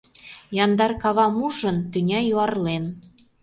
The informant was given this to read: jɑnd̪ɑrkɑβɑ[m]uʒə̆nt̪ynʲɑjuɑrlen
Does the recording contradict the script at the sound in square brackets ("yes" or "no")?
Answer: no